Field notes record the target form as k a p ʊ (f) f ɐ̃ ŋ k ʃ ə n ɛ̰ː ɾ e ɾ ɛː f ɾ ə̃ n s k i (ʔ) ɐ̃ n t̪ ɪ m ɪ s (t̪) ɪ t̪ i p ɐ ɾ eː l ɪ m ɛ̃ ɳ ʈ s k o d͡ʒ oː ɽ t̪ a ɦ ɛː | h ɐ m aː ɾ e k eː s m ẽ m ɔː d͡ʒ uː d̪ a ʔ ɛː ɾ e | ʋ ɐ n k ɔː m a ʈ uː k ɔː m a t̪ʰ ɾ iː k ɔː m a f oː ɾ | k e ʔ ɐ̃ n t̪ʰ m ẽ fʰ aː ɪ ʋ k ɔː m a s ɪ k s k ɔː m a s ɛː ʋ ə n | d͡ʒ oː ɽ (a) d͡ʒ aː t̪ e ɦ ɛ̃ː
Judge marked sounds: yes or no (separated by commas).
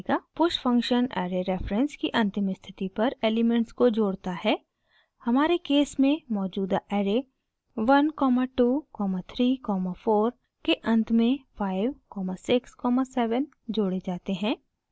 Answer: no, yes, no, no